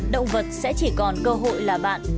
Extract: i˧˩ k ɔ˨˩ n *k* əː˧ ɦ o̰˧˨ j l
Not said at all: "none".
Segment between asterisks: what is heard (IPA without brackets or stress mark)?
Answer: k